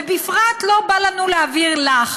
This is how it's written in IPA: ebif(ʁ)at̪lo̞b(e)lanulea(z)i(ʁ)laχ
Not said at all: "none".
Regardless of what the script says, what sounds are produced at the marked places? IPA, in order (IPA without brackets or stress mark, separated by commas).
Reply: ʁ, a, v, ʁ